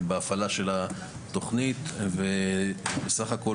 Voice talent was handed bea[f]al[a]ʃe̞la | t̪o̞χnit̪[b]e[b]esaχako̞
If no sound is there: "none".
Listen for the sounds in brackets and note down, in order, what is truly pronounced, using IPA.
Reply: f, a, v, b

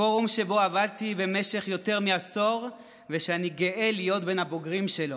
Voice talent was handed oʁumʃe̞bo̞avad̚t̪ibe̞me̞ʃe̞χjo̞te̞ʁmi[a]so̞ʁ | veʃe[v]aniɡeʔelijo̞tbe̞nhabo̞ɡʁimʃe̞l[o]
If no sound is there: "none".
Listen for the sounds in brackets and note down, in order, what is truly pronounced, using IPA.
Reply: a, none, o

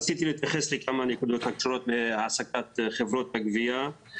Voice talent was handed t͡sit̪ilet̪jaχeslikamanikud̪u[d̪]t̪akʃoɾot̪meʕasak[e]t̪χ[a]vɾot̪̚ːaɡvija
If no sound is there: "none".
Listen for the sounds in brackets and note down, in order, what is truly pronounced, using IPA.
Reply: none, a, e

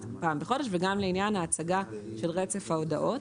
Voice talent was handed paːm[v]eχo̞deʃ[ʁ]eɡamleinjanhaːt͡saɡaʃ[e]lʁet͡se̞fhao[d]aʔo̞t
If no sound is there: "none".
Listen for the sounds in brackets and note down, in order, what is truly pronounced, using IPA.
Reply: b, v, e, d

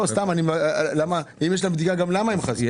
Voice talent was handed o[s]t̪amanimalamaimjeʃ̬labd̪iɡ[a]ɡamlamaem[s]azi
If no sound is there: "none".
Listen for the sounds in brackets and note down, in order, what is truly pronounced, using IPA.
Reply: s, a, χ

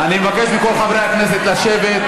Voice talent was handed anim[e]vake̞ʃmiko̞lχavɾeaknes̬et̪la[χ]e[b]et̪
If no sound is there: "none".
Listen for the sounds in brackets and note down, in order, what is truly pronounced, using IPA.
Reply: e, ʃ, v

